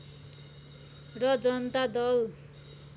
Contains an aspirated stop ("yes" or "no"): no